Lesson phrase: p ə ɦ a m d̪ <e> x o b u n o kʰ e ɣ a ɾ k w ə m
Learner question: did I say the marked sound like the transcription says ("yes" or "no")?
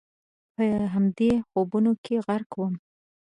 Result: yes